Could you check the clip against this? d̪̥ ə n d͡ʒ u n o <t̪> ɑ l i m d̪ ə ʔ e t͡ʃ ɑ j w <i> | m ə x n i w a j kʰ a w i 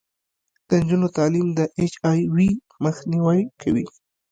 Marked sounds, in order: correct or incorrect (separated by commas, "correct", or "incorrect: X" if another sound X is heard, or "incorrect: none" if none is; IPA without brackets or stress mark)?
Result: correct, correct